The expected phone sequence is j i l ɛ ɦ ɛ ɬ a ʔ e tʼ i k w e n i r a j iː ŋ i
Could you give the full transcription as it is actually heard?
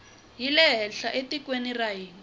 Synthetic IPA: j i l ɛ ɦ ɛ ɬ a ʔ e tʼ i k w e n i r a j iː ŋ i